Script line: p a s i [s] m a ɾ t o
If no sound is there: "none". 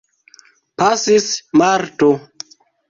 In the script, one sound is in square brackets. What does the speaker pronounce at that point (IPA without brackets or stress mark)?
s